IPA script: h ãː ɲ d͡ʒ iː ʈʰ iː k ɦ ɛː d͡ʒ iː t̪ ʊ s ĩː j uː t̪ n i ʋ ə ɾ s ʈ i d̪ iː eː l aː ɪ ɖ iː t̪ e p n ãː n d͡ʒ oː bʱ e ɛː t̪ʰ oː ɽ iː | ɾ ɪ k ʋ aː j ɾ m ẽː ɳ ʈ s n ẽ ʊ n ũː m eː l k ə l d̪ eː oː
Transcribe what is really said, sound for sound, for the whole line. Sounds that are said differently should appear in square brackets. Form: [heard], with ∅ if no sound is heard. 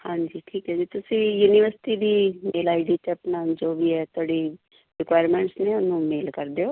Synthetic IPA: h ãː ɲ d͡ʒ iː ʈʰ iː k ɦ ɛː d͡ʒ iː t̪ ʊ s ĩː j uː [∅] n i ʋ ə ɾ s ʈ i d̪ iː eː l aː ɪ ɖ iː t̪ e p n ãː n d͡ʒ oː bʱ [i] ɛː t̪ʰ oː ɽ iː | ɾ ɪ k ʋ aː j ɾ m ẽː ɳ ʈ s n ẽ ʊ n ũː m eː l k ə [ɾ] d̪ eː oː